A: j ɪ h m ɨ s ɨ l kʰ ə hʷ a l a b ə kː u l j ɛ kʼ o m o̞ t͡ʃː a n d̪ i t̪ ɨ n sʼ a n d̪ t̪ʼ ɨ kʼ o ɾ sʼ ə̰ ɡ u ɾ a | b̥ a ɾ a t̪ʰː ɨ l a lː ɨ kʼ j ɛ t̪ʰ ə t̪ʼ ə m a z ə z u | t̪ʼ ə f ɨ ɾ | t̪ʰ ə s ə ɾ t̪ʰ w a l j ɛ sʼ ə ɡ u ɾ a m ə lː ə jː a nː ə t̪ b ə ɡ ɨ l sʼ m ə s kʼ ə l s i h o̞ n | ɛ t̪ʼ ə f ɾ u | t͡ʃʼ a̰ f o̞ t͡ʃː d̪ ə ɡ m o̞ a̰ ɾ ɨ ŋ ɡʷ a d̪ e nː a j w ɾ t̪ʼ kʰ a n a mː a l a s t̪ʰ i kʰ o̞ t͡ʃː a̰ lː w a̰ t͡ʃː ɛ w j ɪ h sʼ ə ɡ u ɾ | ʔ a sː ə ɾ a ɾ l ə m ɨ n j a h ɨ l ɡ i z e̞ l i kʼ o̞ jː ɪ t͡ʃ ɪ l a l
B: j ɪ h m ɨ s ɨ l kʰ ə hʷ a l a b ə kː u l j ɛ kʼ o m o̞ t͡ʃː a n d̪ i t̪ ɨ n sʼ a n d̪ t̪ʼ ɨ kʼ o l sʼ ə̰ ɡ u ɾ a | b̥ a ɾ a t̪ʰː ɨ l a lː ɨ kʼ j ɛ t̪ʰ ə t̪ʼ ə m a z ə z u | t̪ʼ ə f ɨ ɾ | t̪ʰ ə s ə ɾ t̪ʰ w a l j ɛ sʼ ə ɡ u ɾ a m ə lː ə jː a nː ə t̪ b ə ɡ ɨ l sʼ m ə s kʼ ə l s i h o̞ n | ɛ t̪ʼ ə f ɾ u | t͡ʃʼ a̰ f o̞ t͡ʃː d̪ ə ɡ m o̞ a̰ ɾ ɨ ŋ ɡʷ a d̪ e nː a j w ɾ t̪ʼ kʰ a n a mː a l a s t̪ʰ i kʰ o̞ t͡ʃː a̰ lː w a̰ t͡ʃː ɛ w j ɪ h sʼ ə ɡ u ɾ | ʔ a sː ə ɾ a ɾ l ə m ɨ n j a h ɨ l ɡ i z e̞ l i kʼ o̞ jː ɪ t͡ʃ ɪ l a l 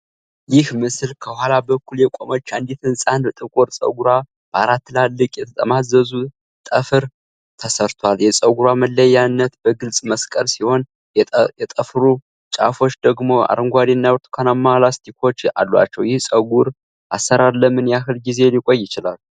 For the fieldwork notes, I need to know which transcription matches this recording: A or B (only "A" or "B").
A